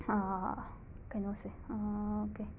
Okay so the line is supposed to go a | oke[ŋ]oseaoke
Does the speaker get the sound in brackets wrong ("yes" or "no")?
yes